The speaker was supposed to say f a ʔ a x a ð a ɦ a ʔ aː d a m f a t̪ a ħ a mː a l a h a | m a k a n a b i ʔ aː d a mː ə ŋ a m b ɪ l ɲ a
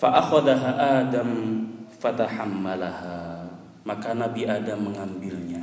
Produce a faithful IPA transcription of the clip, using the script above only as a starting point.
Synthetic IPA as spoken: f a ʔ a x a ð a ɦ a ʔ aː d a m f a t̪ a ħ a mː a l a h a | m a k a n a b i ʔ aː d a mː ə ŋ a m b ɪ l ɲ a